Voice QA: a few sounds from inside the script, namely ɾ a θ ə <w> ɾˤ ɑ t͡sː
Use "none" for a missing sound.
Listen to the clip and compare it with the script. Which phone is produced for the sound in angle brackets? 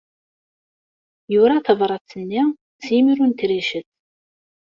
v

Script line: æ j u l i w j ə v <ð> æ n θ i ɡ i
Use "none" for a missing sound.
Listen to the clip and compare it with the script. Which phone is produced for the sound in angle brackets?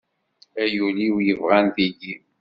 ʁ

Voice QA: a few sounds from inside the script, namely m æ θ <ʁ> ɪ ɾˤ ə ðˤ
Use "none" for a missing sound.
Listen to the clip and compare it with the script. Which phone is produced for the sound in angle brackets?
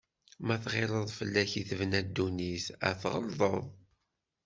ʁ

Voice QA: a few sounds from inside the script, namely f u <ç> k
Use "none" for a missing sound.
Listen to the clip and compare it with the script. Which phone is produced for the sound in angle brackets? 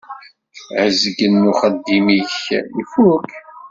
none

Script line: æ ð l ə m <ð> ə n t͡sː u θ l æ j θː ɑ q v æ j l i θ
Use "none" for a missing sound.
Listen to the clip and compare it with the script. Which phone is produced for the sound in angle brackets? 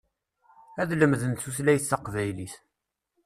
ð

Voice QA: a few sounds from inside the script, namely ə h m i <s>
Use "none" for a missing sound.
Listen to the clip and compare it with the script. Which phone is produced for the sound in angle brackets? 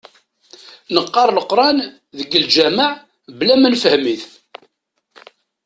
θ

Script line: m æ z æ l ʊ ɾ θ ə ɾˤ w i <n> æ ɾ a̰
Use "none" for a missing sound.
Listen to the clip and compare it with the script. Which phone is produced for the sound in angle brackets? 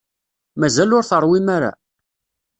m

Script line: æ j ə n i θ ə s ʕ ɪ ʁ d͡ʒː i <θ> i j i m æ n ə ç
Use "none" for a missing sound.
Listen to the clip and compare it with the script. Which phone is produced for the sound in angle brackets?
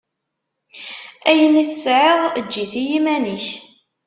θ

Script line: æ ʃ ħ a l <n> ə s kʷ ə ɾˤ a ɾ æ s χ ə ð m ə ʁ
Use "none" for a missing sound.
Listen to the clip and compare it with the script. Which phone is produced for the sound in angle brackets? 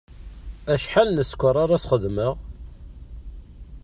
n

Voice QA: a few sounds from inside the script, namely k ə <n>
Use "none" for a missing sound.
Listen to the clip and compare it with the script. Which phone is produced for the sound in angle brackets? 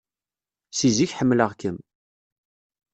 m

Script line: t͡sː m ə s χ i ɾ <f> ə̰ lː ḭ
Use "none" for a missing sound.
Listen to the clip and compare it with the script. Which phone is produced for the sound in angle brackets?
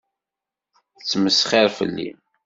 f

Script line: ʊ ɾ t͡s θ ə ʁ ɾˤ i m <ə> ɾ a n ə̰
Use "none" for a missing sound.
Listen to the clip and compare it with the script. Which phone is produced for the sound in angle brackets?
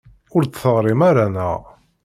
a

